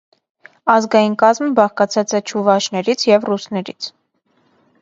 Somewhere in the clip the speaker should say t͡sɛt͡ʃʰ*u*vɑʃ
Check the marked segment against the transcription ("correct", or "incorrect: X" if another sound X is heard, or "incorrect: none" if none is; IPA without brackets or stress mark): correct